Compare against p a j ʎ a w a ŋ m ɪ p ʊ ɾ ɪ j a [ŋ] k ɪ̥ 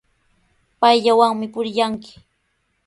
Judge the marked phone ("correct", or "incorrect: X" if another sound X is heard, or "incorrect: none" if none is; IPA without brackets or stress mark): correct